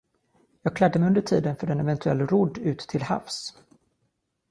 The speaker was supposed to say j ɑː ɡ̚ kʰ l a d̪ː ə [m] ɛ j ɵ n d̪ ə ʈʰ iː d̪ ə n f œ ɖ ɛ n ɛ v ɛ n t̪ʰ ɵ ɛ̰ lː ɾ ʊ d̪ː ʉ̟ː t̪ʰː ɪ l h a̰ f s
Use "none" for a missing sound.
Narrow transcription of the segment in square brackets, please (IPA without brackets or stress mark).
m